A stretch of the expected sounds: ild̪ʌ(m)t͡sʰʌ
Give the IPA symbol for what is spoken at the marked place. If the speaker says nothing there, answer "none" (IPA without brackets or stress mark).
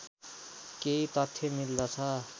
none